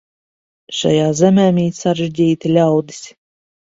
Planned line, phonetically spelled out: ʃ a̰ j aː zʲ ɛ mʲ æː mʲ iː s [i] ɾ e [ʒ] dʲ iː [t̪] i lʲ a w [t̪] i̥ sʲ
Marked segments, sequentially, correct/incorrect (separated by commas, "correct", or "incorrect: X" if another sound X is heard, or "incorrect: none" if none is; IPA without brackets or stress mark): incorrect: a, correct, correct, incorrect: d̪